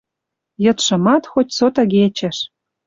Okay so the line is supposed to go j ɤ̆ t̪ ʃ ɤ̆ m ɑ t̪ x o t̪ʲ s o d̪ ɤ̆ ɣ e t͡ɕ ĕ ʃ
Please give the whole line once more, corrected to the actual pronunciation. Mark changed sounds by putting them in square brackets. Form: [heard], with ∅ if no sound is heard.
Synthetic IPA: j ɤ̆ t̪ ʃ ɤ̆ m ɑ t̪ x o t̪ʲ s o [t̪] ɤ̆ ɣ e t͡ɕ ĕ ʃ

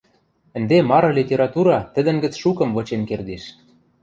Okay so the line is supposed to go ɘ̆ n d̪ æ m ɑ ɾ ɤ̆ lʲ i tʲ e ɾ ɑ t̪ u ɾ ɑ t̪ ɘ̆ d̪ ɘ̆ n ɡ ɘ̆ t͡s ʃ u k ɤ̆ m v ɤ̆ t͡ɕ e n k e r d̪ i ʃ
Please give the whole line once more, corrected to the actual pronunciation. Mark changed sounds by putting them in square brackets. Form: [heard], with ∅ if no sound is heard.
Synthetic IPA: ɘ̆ n d̪ [e] m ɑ ɾ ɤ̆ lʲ i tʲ e ɾ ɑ t̪ u ɾ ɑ t̪ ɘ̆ d̪ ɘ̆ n ɡ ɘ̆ t͡s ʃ u k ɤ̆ m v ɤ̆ t͡ɕ e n k e r d̪ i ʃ

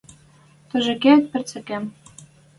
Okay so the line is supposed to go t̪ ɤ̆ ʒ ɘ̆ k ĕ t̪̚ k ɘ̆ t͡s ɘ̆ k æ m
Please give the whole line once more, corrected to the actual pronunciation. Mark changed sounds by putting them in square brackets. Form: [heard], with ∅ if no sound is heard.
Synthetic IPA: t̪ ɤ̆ ʒ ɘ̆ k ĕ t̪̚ [p] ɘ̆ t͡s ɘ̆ k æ m

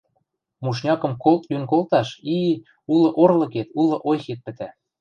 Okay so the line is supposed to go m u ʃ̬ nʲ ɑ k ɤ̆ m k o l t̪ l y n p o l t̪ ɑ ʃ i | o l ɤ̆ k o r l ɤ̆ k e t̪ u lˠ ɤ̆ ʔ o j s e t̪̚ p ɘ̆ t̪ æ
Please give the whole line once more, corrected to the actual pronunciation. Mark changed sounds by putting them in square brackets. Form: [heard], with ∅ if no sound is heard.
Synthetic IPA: m u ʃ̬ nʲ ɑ k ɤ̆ m k o l t̪ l y n [k] o l t̪ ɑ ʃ i | [u] l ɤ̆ [ʔ] o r l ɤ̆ k e t̪ u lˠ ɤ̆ ʔ o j [x] e t̪̚ p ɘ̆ t̪ æ

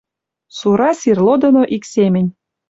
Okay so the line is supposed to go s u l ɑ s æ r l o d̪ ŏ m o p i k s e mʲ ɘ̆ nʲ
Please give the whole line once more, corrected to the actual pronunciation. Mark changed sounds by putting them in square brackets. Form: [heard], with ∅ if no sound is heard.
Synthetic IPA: s u [ɾ] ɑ s [i] r l o d̪ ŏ [n] o [ʔ] i k s e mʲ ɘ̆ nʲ

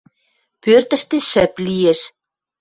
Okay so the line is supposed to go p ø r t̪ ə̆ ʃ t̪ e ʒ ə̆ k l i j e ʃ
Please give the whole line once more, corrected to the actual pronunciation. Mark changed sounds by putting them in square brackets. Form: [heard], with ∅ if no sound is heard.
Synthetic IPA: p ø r t̪ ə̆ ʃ t̪ e [ʃ] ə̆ [p] l i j e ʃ

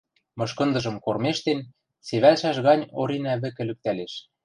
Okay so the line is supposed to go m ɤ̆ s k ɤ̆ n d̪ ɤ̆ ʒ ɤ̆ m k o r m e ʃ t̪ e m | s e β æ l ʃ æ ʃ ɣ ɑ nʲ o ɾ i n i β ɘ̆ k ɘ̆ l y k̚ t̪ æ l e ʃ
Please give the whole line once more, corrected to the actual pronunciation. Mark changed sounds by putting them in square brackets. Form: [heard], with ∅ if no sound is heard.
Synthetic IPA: m ɤ̆ [ʃ] k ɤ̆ n d̪ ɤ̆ ʒ ɤ̆ m k o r m e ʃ t̪ e [n] | s e β æ l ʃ æ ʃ ɣ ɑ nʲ o ɾ i n [æ] β ɘ̆ k ɘ̆ l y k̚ t̪ æ l e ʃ

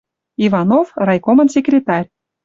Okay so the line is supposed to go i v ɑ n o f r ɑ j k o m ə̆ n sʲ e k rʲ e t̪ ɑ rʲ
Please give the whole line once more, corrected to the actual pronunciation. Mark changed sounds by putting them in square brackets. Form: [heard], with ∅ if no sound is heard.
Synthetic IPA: i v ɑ n o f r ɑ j k o m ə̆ n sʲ e k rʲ e t̪ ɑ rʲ

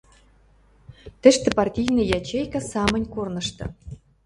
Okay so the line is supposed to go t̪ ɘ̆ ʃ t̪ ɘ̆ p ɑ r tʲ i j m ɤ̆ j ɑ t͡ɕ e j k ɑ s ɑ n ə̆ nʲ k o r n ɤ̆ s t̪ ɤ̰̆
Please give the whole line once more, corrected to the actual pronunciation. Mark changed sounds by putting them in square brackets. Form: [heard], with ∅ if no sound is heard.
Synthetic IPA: t̪ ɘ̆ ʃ t̪ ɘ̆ p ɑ r tʲ i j [n] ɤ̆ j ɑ t͡ɕ e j k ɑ s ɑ [m] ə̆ nʲ k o r n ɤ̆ [ʃ] t̪ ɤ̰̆

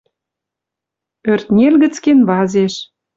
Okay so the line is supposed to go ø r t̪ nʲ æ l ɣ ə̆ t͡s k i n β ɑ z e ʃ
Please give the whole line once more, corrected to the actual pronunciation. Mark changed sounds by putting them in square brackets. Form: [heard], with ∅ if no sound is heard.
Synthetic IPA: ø r t̪ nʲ [e] l ɣ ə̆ t͡s k [e] n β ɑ z e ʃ

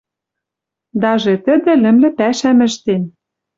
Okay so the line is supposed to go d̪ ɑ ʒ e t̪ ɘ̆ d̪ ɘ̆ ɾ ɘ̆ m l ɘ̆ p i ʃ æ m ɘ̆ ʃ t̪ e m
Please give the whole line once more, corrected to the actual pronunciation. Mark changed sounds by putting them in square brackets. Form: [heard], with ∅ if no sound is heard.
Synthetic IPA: d̪ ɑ ʒ e t̪ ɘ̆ d̪ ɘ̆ [l] ɘ̆ m l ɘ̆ p [æ] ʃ æ m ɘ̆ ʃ t̪ e [n]

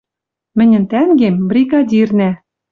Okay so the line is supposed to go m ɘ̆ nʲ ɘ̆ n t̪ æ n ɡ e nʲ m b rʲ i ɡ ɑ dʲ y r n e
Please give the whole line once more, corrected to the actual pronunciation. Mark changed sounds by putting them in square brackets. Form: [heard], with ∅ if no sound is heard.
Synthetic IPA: m ɘ̆ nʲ ɘ̆ n t̪ æ [ŋ] ɡ e [∅] m b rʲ i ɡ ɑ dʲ [i] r n [æ]

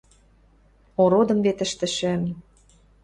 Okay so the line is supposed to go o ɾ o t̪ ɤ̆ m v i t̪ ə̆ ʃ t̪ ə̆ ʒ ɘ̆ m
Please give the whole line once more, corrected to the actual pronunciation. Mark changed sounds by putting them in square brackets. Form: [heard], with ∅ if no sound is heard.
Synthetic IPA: o ɾ o [d̪] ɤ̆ m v [e] t̪ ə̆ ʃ t̪ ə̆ [ʃ] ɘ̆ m

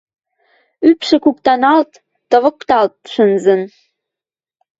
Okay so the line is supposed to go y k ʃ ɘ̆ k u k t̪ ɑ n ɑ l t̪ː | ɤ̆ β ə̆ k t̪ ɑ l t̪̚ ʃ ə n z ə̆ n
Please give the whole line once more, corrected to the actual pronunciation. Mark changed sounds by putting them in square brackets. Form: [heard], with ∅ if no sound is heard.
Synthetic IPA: y [p] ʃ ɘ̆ k u k t̪ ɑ n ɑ l t̪ː | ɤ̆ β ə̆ k t̪ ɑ l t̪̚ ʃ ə n z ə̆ n

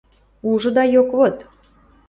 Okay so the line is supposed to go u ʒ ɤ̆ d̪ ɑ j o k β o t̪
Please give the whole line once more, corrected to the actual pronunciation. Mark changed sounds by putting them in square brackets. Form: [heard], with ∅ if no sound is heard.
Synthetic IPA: u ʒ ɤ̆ d̪ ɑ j o k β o t̪

